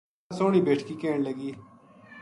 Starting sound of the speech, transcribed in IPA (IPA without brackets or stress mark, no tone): s